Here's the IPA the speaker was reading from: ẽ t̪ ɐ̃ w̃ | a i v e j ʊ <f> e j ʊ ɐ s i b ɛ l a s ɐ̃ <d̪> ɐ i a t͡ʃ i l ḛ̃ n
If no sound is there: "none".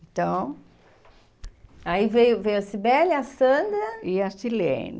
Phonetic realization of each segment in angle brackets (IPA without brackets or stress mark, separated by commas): v, d̪